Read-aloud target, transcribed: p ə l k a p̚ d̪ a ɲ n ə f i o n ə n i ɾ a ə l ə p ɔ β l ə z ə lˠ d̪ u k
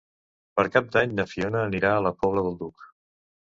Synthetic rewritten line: p ə ɾ k a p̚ d̪ a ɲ n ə f i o n əː n i ɾ a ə l ə p ɔ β l ə ð ə lˠ d̪ u k